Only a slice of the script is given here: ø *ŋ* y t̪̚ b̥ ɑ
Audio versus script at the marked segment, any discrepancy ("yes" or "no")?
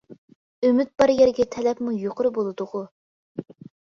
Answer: yes